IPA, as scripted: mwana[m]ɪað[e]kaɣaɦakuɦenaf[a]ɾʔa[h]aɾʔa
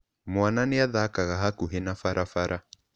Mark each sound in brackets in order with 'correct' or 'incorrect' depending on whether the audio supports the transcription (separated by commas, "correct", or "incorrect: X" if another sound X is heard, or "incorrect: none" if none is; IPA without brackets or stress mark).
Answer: incorrect: n, incorrect: a, correct, incorrect: f